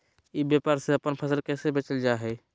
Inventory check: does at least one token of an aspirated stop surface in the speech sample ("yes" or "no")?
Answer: yes